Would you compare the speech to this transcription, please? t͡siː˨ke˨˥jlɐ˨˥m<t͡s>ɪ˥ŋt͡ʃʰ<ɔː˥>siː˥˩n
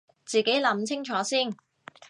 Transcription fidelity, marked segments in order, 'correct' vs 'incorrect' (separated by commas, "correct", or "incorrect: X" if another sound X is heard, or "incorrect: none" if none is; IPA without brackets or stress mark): incorrect: t͡sʰ, incorrect: ɔː˨˥